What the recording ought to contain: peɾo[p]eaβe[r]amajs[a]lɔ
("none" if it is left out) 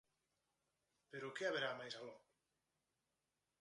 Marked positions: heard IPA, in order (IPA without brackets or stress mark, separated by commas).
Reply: k, ɾ, a